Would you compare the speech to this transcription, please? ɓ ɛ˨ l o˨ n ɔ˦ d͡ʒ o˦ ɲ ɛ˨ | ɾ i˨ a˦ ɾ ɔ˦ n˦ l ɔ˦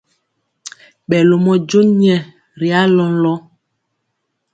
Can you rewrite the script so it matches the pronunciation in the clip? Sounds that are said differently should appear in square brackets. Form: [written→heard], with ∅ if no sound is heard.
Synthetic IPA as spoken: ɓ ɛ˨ l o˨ [n→m] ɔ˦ d͡ʒ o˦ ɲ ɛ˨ | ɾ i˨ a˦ [ɾ→l] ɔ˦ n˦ l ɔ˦